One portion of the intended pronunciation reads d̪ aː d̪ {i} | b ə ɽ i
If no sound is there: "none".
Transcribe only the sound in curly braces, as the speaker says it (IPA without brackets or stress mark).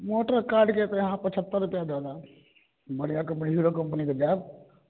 a